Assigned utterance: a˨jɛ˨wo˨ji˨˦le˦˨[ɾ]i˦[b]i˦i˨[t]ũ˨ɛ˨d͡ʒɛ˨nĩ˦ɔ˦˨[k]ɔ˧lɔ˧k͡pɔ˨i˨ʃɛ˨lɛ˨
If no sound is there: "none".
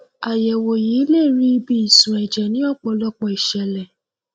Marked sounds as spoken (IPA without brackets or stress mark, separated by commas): ɾ, b, s, k͡p